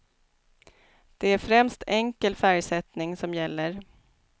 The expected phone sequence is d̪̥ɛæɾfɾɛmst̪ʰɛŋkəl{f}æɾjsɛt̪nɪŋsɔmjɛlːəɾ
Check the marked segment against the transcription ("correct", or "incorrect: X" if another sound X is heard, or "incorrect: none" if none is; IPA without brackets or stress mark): correct